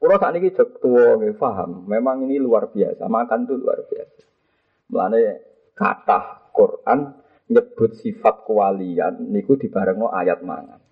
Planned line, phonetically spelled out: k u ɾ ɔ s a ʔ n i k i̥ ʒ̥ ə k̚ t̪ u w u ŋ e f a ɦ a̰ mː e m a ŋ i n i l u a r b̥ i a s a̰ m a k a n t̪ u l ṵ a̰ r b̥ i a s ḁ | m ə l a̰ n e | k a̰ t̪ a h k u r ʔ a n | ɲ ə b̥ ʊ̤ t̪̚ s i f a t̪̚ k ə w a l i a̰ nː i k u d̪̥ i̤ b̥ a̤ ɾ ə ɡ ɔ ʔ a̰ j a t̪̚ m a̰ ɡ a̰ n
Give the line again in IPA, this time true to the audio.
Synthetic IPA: k u ɾ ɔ s a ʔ n i k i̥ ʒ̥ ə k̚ t̪ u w ɔ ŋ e f a ɦ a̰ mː e m a ŋ i n i l u a r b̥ i a s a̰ m a k a n t̪ u l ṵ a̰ r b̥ i a s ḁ | m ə l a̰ n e | k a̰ t̪ a h k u r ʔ a n | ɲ ə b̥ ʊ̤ t̪̚ s i f a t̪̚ k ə w a l i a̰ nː i k u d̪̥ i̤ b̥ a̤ ɾ ə ŋ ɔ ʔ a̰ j a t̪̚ m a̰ ŋ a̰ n